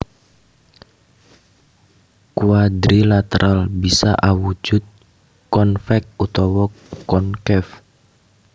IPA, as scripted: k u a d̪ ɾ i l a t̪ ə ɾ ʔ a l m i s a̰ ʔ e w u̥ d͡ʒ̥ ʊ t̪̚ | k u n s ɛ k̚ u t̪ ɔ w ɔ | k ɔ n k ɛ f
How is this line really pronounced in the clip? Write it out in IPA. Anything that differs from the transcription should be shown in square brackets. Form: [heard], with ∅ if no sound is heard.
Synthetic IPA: k u a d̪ ɾ i l a t̪ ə ɾ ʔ a l [b] i s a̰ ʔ [a] w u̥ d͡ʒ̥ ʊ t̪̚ | k [ɔ] n [f] ɛ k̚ u t̪ ɔ w ɔ | k ɔ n k ɛ f